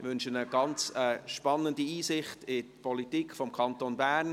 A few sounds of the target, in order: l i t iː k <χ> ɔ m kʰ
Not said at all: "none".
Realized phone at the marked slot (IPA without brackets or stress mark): f